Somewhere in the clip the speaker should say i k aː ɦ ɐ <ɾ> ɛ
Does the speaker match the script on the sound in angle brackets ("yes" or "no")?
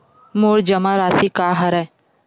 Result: yes